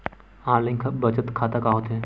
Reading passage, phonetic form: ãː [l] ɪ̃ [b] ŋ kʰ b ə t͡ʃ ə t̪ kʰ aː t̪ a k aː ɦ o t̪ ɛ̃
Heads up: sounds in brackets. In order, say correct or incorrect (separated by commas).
correct, incorrect